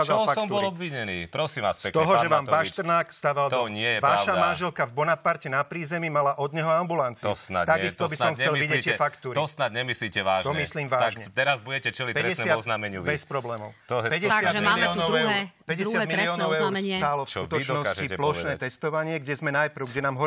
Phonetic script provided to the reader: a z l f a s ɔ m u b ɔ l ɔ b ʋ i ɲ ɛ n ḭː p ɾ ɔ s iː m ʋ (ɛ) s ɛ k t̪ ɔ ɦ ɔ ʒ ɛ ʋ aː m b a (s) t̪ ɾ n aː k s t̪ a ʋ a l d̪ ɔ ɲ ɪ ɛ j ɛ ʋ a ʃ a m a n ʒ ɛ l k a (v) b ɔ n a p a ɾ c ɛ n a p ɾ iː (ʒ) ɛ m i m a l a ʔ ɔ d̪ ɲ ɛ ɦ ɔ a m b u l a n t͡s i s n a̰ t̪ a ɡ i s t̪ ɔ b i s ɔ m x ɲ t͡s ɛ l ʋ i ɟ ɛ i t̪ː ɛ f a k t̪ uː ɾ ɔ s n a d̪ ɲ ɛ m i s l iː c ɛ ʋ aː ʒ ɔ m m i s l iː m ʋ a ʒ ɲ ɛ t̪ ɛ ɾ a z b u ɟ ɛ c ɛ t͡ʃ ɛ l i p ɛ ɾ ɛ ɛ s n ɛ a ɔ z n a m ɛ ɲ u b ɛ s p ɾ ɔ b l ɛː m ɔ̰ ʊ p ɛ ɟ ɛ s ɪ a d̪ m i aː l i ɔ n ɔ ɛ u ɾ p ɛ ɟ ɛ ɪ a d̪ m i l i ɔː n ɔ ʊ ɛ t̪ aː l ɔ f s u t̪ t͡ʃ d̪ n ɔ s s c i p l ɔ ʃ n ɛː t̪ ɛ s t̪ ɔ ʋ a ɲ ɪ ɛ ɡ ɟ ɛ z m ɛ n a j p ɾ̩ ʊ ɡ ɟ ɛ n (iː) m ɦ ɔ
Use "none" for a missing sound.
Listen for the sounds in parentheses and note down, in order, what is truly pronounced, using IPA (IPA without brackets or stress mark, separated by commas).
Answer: a, ʃ, v, z, aː